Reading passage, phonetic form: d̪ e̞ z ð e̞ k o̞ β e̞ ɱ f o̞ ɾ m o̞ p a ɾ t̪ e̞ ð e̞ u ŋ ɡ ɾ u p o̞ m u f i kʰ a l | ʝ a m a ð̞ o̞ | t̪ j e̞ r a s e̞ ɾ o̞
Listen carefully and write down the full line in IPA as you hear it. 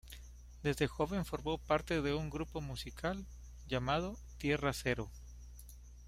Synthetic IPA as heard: d̪ e̞ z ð e̞ x o̞ β e̞ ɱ f o̞ ɾ m o̞ p a ɾ t̪ e̞ ð e̞ u ŋ ɡ ɾ u p o̞ m u s i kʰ a l | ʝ a m a ð̞ o̞ | t̪ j e̞ r a s e̞ ɾ o̞